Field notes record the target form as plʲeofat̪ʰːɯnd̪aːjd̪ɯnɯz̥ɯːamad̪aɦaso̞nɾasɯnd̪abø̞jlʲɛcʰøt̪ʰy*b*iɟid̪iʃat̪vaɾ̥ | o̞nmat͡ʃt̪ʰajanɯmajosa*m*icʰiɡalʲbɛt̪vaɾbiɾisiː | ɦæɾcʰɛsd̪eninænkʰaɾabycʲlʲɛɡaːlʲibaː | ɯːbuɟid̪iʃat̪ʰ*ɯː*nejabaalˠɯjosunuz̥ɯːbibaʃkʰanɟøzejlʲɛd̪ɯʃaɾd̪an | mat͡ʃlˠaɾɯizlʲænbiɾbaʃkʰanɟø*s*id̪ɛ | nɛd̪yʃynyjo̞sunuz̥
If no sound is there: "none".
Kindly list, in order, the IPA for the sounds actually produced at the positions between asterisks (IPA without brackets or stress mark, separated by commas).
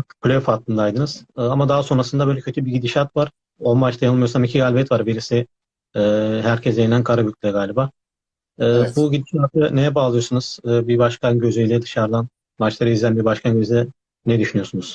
b, m, ɯ, z